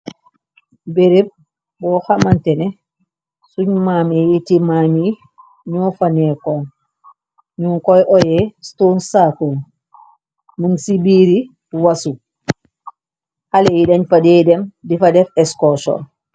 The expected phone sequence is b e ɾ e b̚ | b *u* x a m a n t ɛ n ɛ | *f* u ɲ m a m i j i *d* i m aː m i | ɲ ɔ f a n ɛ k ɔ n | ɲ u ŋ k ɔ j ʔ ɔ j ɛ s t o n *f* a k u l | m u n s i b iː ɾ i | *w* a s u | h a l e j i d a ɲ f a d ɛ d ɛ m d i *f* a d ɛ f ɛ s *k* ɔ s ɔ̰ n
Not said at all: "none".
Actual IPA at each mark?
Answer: ɔ, s, t, s, w, f, k

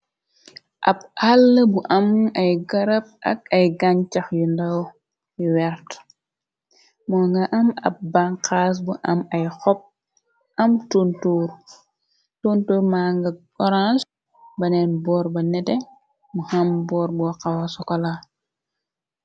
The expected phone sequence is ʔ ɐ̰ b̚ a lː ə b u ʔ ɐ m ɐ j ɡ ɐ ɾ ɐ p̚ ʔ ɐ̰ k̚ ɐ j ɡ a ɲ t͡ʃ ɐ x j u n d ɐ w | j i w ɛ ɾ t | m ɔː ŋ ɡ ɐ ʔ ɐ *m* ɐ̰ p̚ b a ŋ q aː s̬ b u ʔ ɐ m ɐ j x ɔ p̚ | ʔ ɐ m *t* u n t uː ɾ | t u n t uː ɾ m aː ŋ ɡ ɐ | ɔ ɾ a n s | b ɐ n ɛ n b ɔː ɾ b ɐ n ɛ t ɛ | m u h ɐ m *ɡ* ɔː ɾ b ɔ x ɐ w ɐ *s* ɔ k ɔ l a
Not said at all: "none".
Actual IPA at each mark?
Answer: m, t, b, s

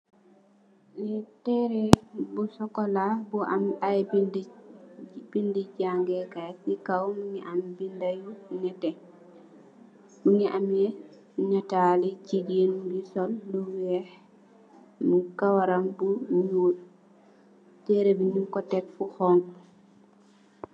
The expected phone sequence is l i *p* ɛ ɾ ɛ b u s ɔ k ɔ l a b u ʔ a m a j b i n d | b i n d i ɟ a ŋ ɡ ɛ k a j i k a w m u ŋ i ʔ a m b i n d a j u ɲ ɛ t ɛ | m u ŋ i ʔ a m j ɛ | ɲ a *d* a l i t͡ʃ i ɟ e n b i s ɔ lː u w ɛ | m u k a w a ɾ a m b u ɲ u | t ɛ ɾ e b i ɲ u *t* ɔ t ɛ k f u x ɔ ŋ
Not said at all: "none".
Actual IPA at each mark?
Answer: t, t, k

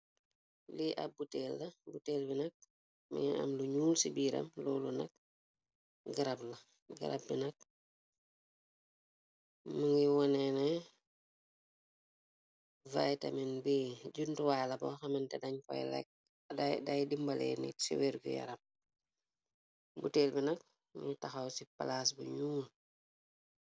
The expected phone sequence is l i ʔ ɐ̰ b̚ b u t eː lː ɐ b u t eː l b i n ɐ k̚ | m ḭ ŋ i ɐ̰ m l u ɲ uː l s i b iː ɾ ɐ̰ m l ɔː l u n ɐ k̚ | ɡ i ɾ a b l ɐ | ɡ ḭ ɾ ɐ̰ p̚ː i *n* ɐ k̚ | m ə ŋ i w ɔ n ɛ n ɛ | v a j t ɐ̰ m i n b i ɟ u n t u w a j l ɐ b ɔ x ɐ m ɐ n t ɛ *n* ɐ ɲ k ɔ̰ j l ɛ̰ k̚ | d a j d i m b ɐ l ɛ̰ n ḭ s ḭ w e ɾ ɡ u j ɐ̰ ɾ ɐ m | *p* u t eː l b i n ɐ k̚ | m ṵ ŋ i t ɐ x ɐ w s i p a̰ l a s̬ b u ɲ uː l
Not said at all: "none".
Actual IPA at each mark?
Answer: n, d, b

